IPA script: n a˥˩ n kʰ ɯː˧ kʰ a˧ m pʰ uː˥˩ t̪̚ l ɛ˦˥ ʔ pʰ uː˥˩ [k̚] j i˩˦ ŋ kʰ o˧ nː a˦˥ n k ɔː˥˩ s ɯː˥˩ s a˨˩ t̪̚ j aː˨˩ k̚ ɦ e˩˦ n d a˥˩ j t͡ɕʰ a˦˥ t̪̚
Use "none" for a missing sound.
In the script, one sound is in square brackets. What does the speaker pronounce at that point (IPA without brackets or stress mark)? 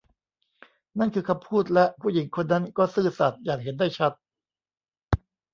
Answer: none